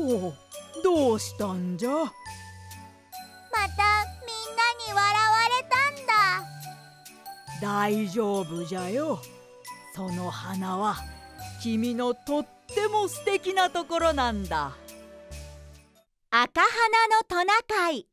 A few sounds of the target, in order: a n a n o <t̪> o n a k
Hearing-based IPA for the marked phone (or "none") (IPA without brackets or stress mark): t̪